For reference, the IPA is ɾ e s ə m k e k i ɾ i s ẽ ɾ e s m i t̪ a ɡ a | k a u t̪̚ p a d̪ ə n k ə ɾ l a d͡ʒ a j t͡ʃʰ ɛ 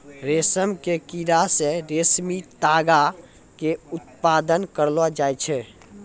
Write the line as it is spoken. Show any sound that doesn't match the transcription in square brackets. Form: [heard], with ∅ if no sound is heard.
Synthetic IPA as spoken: ɾ e s ə m k e k i ɾ [a] s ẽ ɾ e s m i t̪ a ɡ a | k [e] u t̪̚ p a d̪ ə n k ə ɾ l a d͡ʒ a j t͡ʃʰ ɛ